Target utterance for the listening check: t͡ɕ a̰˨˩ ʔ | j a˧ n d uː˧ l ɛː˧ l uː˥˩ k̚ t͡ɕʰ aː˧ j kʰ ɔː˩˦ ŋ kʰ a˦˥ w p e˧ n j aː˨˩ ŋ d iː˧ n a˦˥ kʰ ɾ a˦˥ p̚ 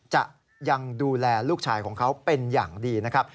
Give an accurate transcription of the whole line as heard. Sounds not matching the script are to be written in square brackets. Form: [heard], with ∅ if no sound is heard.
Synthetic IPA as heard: t͡ɕ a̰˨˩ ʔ | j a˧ [ŋ] d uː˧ l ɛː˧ l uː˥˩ k̚ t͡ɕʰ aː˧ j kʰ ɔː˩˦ ŋ kʰ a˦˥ w p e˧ n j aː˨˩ ŋ d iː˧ n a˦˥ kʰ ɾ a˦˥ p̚